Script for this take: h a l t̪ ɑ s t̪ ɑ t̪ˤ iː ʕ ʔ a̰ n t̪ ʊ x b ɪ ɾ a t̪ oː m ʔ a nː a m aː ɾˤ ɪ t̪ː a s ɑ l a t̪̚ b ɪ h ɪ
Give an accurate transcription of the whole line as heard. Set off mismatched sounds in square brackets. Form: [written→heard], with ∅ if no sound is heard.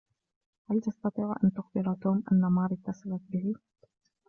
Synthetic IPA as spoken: h a l t̪ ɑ s t̪ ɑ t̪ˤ iː ʕ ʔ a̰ n t̪ ʊ x b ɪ ɾ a t̪ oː m ʔ a nː a m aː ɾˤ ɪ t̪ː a s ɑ l a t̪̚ b ɪ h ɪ